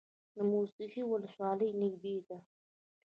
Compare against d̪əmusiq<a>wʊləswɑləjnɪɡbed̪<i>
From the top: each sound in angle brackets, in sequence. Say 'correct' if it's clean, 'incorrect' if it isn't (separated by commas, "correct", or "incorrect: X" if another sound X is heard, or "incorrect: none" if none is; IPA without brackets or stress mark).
incorrect: i, incorrect: a